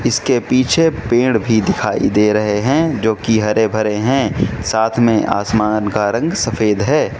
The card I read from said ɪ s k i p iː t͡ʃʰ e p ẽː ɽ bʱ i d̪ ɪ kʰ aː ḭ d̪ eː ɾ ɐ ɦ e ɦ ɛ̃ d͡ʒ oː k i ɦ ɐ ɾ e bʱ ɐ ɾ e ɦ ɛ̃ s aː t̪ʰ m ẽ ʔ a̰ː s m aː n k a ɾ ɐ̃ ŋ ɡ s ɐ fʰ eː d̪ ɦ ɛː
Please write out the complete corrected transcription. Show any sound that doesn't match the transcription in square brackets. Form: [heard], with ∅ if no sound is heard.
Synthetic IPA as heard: ɪ s k [e] p iː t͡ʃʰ e p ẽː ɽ bʱ i d̪ ɪ kʰ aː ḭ d̪ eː ɾ ɐ ɦ e ɦ ɛ̃ d͡ʒ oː k i ɦ ɐ ɾ e bʱ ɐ ɾ e ɦ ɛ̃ s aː t̪ʰ m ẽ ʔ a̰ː s m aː n k a ɾ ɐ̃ ŋ ɡ s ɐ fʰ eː d̪ ɦ ɛː